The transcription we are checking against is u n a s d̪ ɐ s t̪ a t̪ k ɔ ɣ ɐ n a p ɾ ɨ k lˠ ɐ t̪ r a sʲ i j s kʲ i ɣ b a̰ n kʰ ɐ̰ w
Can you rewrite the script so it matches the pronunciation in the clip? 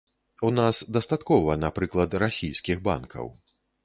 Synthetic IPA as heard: u n a s d̪ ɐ s t̪ a t̪ k ɔ v ɐ n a p ɾ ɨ k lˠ ɐ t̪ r a sʲ i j s kʲ i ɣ b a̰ n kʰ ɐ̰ w

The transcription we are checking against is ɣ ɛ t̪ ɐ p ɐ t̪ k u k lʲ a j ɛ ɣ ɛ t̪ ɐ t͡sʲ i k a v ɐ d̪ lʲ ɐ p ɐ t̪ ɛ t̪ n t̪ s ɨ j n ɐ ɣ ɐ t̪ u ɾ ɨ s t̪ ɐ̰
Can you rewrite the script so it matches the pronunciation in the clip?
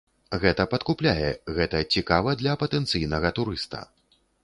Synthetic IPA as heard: ɣ ɛ t̪ ɐ p ɐ t̪ k u p lʲ a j ɛ ɣ ɛ t̪ ɐ t͡sʲ i k a v ɐ d̪ lʲ ɐ p ɐ t̪ ɛ n t̪ s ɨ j n ɐ ɣ ɐ t̪ u ɾ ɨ s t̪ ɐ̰

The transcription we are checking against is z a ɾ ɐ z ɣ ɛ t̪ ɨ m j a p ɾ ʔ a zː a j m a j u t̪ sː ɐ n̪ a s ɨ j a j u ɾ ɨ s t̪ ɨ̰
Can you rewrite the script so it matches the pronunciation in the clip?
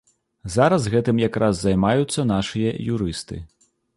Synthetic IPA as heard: z a ɾ ɐ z ɣ ɛ t̪ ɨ m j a k ɾ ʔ a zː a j m a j u t̪ sː ɐ n̪ a ʂ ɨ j ɐ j u ɾ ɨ s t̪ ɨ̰

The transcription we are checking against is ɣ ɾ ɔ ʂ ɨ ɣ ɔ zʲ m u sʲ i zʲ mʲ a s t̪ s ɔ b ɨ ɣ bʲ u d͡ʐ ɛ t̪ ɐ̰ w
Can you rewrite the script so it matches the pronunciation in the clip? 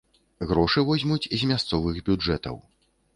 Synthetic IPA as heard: ɣ ɾ ɔ ʂ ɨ v ɔ zʲ m u t͡sʲ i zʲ mʲ a s t̪ s ɔ v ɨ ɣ bʲ u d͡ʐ ɛ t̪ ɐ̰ w

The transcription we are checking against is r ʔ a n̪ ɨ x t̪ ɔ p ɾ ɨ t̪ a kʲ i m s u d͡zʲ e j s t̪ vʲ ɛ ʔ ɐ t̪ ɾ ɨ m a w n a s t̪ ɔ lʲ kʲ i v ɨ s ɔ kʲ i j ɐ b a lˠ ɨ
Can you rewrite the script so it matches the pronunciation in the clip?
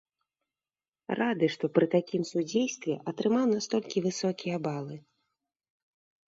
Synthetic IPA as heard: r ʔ a d̪ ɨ ʂ t̪ ɔ p ɾ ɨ t̪ a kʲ i m s u d͡zʲ e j s t̪ vʲ ɛ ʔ ɐ t̪ ɾ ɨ m a w n a s t̪ ɔ lʲ kʲ i v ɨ s ɔ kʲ i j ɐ b a lˠ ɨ

